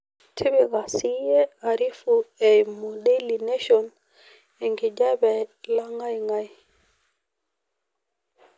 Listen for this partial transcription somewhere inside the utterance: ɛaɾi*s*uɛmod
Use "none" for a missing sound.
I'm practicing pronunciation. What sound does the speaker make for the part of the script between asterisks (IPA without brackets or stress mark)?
f